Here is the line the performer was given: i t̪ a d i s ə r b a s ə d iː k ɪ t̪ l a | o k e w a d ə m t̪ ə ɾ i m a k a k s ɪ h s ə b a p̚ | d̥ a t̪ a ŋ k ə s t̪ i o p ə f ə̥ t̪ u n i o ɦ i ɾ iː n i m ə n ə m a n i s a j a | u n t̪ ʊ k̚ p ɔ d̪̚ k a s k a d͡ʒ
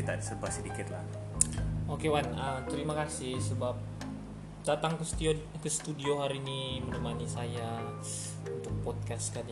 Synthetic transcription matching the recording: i t̪ a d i s ə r b a s ə d i k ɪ t̪ l a | o k e w a n ə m t̪ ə ɾ i m a k a s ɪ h s ə b a p̚ | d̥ a t̪ a ŋ k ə s t̪ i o k ə s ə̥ t̪ u d i o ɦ a ɾ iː n i m ə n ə m a n i s a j a | u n t̪ ʊ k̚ p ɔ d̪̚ k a s k a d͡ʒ